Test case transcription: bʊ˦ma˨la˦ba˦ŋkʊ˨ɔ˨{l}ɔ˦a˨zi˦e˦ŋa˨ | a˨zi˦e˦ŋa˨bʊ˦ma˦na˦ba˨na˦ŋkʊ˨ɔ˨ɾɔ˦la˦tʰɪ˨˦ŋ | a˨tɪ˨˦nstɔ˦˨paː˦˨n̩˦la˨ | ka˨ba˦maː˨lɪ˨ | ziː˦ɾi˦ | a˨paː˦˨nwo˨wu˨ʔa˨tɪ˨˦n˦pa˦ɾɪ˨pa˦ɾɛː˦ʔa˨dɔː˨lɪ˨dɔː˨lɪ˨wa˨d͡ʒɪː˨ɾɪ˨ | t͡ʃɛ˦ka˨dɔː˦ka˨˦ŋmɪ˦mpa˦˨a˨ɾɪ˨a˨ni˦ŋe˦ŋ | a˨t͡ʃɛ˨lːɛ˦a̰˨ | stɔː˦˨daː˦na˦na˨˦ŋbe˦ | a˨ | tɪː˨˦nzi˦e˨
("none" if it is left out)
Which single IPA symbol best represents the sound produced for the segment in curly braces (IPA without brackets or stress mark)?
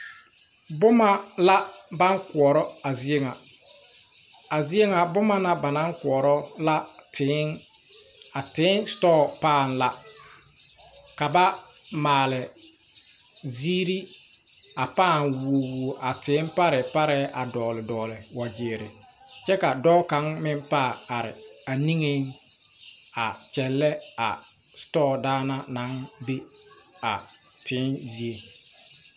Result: ɾ